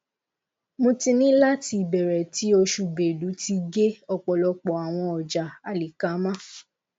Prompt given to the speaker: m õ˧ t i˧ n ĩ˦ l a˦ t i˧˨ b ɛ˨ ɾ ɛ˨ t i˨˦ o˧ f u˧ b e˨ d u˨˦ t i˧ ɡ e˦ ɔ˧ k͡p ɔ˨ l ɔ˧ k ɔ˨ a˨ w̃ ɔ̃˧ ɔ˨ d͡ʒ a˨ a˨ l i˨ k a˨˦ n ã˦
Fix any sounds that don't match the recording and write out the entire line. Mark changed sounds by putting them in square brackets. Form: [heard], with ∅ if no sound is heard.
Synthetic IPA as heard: m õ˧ t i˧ n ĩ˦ l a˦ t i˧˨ b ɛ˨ ɾ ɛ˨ t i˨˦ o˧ [ʃ] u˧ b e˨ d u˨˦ t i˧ ɡ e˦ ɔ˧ k͡p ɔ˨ l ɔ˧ [k͡p] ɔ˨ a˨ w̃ ɔ̃˧ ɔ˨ d͡ʒ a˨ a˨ l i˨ k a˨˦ [m] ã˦